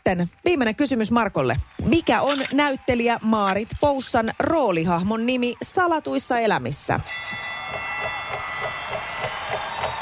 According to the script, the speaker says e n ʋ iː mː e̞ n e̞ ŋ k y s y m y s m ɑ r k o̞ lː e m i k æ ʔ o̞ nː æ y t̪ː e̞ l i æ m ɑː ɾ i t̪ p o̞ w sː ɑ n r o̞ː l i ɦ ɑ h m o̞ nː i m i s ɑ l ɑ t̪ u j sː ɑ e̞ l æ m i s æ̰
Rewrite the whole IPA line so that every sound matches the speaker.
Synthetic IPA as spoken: e n ʋ iː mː e̞ n e̞ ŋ k y s y m y s m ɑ r k o̞ lː e m i k æ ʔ o̞ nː æ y t̪ː e̞ l i æ m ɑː ɾ i t̪ p o̞ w sː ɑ n r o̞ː l i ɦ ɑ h m o̞ nː i m i s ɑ l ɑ t̪ u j sː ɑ e̞ l æ m i sː æ̰